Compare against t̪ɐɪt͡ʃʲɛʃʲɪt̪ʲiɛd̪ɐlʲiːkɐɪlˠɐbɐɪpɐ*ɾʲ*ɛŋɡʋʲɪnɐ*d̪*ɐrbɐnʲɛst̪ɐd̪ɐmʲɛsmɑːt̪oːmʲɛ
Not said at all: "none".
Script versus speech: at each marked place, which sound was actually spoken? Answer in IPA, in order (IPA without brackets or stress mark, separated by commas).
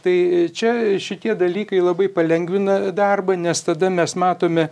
lʲ, d̪